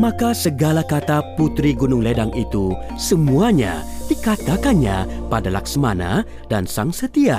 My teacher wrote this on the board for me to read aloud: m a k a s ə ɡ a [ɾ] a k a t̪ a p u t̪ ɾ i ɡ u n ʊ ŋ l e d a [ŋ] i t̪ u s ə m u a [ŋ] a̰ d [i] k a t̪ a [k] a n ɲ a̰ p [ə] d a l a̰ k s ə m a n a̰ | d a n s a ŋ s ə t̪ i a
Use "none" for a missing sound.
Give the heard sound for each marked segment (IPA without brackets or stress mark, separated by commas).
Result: l, ŋ, ɲ, i, k, a